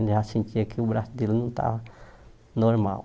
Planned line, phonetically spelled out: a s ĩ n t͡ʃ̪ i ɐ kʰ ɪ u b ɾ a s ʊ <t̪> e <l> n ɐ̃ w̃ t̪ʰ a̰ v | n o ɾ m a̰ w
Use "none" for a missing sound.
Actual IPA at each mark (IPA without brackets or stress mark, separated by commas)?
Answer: d̪, l